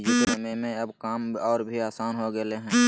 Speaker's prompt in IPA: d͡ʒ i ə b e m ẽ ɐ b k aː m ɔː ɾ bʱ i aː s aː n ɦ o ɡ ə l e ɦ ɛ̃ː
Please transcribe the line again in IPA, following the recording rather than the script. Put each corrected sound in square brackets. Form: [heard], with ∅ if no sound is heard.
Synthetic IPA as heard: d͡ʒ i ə [m] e m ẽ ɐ b k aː m ɔː ɾ bʱ i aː s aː n ɦ o ɡ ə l e ɦ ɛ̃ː